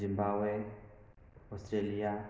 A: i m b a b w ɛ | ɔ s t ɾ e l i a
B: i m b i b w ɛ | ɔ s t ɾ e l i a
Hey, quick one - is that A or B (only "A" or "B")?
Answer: A